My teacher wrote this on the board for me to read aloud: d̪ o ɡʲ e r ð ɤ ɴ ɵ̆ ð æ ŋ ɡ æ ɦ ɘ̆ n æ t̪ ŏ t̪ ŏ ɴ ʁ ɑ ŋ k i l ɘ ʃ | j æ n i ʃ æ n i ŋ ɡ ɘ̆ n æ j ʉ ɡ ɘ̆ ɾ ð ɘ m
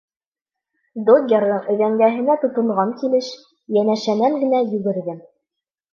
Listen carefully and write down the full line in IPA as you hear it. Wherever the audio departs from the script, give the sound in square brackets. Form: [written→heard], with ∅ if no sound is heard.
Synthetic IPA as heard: d̪ o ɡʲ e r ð ɤ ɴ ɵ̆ ð æ ŋ ɡ æ ɦ ɘ̆ n æ t̪ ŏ t̪ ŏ ɴ ʁ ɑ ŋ k i l ɘ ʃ | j æ n [i→æ] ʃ æ n [i→æ] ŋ ɡ ɘ̆ n æ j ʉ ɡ ɘ̆ ɾ ð ɘ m